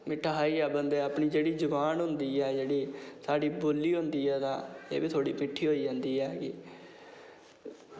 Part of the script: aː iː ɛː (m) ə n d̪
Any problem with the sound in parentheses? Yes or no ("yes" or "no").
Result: yes